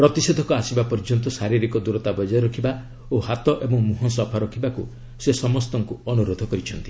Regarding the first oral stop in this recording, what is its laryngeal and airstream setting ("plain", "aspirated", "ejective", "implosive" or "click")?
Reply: plain